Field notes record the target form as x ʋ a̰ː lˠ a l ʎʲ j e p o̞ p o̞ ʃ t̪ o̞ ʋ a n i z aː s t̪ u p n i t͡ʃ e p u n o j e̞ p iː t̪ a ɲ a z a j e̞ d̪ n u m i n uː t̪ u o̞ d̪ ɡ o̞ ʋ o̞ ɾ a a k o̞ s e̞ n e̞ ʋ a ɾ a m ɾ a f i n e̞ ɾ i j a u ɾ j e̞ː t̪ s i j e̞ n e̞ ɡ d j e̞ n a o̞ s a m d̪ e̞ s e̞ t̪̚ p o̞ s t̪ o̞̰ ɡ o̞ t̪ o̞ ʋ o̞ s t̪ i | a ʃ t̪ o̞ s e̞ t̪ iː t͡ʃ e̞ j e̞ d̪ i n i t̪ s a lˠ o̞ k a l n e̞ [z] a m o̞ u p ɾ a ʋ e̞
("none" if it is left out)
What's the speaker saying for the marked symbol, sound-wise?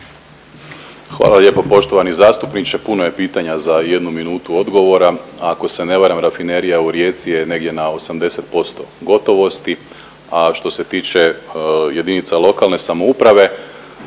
s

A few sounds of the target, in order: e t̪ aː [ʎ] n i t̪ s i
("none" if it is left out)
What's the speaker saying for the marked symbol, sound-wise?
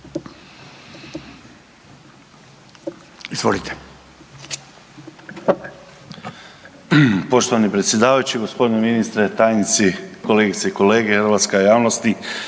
j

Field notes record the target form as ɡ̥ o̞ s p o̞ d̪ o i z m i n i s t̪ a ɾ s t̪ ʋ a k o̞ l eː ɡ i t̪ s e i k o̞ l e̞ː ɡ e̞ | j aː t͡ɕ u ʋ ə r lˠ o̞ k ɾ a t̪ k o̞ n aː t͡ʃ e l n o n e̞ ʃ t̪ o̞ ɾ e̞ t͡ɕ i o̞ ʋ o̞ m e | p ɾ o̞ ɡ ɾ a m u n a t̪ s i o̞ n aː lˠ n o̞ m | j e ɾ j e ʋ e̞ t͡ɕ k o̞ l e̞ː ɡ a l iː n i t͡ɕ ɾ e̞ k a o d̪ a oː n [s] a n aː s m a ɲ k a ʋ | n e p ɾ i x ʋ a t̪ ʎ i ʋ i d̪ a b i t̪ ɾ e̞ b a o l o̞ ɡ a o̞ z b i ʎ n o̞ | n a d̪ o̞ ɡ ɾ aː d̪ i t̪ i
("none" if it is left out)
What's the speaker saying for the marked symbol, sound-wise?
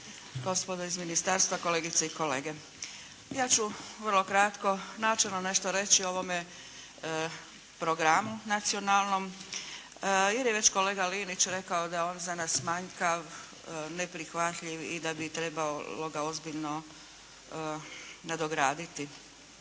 z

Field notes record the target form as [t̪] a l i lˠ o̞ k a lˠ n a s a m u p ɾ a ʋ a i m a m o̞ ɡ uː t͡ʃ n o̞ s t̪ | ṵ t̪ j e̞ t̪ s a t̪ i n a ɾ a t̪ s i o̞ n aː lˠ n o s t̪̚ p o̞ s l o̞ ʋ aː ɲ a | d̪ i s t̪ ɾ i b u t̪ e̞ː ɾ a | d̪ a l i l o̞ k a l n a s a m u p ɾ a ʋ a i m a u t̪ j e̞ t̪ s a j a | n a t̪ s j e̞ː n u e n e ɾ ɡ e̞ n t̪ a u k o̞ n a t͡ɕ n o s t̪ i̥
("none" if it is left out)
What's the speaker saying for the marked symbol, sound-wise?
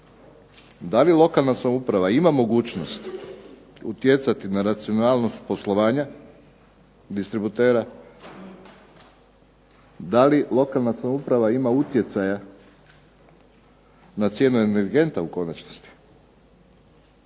d̪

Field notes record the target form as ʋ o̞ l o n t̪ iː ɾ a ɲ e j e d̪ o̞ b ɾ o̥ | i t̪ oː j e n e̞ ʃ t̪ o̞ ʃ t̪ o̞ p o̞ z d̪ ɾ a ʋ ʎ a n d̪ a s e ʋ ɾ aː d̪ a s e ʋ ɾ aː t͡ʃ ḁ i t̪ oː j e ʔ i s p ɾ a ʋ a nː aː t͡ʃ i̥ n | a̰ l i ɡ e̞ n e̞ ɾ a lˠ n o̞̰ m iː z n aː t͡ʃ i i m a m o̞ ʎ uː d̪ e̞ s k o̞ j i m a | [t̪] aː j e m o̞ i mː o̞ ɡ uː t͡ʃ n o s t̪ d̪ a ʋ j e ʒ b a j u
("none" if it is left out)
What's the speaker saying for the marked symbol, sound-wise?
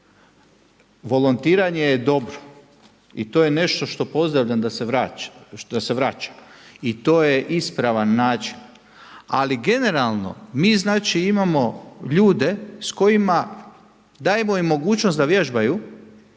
d̪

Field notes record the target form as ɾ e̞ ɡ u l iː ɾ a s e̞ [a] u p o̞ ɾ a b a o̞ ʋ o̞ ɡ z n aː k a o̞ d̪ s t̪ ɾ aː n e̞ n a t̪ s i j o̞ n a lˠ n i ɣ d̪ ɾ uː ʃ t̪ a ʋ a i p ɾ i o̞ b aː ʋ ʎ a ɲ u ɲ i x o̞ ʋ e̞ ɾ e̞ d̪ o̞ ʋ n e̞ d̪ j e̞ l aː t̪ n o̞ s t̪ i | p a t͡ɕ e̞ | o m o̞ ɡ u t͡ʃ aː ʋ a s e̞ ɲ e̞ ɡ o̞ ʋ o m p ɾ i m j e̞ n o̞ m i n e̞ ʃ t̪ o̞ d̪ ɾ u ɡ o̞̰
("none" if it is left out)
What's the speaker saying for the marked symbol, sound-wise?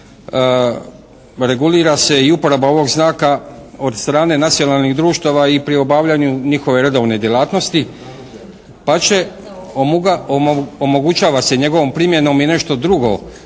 i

